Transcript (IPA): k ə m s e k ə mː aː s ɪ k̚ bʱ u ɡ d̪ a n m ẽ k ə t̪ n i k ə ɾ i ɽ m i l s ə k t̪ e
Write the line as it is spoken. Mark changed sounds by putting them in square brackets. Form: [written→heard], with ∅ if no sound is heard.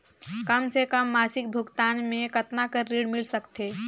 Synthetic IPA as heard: k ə m s e k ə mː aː s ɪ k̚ bʱ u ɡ [d̪→t̪] a n m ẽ k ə t̪ n [i→a] k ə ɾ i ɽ m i l s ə k t̪ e